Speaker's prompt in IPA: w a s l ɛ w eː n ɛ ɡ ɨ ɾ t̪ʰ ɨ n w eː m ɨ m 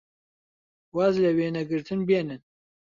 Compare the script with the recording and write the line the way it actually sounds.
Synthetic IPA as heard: w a z l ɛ w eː n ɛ ɡ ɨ ɾ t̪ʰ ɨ n b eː n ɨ n